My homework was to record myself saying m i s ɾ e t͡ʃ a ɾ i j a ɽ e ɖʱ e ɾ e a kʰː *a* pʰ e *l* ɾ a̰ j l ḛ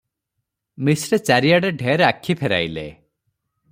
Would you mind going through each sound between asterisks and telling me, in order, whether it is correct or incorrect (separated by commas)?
incorrect, incorrect